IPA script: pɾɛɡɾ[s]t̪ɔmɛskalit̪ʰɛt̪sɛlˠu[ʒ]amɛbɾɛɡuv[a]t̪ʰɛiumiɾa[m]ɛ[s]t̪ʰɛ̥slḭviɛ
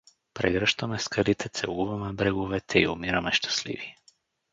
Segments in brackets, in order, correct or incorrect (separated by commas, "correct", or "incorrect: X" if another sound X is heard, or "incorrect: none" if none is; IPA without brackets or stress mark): incorrect: ʃ, incorrect: v, incorrect: ɛ, correct, incorrect: ʃ